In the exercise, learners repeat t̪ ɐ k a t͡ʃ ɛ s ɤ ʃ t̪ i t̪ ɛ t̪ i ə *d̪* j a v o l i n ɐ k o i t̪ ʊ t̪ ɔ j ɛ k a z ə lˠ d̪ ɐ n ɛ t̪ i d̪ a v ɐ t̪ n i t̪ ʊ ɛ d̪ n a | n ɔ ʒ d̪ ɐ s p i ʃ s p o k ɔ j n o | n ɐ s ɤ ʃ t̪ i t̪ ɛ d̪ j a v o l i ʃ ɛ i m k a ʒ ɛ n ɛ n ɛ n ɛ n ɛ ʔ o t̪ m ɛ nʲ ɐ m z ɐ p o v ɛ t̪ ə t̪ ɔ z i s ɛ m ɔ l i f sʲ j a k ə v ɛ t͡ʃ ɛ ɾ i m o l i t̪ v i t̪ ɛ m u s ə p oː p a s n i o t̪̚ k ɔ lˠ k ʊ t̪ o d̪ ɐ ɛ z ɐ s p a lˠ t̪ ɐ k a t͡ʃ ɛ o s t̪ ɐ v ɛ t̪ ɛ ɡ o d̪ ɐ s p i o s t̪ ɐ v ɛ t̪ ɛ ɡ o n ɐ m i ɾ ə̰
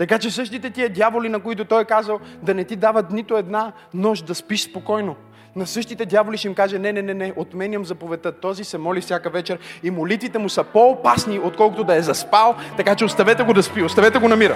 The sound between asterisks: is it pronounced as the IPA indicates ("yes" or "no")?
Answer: yes